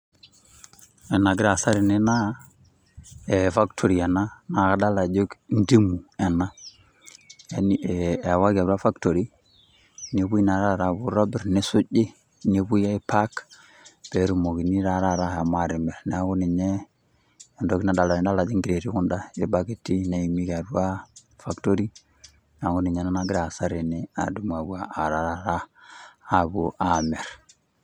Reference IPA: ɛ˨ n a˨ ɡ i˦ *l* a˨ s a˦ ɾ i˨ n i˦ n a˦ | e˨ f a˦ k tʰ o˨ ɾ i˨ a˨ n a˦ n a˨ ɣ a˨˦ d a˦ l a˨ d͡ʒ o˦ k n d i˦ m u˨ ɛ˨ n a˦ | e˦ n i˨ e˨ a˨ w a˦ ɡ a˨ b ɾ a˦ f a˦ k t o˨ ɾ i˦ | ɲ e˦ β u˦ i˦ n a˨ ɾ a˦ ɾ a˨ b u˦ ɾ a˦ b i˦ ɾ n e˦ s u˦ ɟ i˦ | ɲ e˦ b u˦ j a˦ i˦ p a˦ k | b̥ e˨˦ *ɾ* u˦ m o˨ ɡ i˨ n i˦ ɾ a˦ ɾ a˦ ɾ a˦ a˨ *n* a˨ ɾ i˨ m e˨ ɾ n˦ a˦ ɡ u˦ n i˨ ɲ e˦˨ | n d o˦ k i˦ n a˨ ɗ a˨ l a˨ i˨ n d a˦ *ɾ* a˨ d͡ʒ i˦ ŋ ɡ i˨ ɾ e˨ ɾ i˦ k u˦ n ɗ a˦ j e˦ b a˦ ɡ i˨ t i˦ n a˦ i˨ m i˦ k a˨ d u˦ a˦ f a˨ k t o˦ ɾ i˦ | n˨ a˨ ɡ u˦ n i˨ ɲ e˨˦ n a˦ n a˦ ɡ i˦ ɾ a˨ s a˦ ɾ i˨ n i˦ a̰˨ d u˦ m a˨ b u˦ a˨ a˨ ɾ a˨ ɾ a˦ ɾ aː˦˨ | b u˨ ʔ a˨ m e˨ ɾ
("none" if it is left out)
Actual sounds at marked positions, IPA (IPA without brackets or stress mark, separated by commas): ɾ, ɾ, m, l